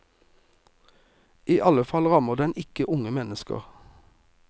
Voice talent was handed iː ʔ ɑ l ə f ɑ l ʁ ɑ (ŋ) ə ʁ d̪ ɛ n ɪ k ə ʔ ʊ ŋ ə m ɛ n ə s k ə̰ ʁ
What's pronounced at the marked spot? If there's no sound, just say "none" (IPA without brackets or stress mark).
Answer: m